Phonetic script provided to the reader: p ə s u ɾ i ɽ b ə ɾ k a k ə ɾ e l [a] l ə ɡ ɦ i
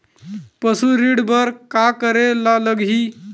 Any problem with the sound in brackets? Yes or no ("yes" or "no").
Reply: no